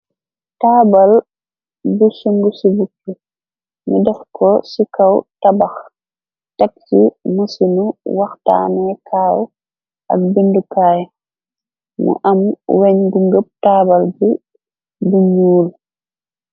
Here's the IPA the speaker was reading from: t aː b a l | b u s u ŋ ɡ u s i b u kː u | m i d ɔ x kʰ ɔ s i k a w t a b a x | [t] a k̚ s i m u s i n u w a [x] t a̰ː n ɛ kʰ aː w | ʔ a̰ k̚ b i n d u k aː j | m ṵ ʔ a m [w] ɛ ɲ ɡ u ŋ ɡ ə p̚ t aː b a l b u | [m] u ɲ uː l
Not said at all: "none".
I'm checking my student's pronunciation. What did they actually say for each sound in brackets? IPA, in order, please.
t, x, w, b

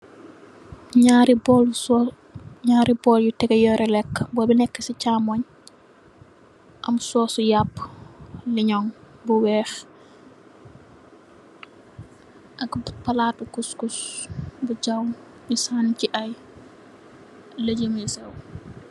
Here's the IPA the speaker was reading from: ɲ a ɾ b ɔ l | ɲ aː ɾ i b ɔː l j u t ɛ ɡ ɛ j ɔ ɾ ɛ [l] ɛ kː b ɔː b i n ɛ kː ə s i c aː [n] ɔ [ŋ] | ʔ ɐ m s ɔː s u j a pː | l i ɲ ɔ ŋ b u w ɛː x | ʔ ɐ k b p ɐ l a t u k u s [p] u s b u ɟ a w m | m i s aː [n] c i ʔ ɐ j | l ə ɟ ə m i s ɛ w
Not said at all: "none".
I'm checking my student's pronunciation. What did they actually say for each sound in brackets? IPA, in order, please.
l, m, ɲ, k, n

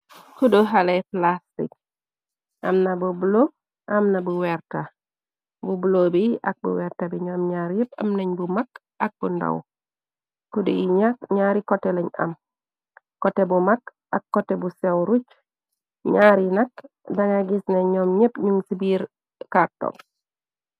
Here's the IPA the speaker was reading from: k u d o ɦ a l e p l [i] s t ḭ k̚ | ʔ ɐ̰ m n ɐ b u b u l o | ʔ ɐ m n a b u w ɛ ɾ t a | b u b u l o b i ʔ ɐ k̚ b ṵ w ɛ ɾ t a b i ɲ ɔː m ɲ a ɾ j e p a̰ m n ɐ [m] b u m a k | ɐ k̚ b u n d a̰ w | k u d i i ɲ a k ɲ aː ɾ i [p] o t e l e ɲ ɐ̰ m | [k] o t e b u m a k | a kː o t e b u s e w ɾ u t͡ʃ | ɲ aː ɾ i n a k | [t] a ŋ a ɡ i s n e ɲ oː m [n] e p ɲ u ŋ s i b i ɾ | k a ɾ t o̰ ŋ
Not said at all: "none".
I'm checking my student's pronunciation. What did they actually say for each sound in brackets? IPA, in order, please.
a, ɲ, k, k, d, ɲ

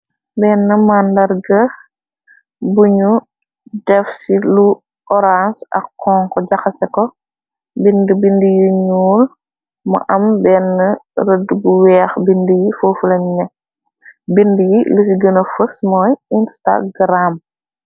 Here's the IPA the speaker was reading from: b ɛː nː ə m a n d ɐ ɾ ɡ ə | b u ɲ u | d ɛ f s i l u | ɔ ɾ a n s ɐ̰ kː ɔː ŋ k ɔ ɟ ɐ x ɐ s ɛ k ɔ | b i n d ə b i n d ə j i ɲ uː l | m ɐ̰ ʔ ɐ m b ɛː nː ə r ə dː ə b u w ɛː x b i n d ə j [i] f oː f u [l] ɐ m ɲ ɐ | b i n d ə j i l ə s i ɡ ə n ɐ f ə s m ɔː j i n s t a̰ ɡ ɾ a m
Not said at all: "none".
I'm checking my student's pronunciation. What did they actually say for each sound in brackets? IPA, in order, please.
i, l

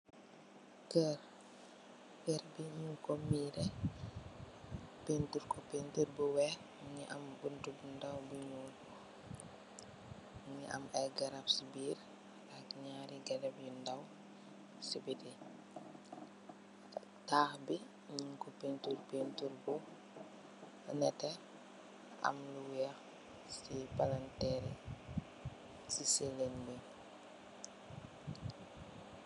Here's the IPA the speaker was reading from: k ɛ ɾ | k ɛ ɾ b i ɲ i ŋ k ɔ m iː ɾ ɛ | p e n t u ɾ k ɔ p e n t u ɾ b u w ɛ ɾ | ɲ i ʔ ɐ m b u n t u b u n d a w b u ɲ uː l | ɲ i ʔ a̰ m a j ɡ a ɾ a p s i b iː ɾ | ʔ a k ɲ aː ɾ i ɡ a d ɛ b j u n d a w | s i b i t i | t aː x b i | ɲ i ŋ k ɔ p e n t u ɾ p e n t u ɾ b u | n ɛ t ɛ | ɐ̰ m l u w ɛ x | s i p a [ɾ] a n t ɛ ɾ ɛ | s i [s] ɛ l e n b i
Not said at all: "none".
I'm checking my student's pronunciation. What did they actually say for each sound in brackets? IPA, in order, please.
l, s

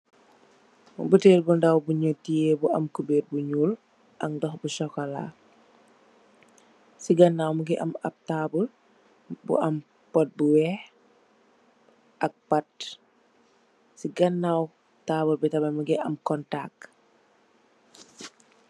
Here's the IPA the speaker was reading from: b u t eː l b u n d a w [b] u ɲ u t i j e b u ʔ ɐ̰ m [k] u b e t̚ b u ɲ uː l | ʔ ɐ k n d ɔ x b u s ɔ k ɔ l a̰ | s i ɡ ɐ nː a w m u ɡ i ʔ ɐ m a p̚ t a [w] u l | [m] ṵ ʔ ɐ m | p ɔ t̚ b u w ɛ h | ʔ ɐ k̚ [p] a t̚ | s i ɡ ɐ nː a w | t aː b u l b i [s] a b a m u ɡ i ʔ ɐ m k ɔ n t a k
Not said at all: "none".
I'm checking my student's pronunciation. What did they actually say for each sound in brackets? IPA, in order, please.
b, k, b, b, p, t

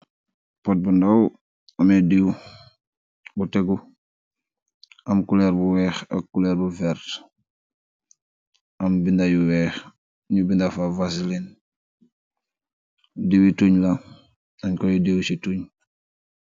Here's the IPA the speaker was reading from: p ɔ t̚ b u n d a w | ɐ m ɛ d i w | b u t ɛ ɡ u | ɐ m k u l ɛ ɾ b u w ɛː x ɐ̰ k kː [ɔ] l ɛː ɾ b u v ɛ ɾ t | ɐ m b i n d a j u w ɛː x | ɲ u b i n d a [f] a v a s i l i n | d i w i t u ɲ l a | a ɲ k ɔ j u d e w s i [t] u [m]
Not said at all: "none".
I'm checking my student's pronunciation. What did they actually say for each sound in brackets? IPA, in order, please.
u, f, t, ɲ

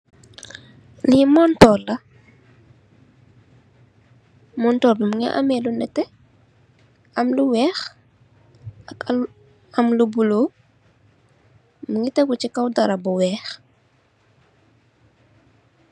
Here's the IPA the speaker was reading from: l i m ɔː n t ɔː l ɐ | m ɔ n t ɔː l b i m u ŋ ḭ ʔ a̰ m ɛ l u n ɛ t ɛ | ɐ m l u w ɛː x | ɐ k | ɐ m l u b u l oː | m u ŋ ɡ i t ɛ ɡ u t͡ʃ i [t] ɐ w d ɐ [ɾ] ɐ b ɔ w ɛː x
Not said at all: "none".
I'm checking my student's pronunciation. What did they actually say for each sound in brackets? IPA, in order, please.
k, ɾ

